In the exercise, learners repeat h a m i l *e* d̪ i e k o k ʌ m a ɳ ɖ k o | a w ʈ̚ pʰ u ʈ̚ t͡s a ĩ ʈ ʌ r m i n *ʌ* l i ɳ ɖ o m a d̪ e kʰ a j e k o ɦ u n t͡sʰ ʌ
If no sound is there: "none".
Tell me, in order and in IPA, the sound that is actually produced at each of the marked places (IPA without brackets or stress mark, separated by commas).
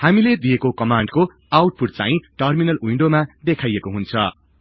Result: e, ʌ